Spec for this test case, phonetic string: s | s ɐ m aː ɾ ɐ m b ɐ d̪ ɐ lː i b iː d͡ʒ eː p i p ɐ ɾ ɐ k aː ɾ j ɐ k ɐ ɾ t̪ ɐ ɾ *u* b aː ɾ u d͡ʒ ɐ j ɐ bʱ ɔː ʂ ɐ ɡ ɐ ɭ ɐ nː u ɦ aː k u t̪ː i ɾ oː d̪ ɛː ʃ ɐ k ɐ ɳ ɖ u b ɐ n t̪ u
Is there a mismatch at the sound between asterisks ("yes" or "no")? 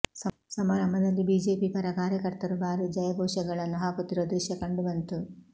no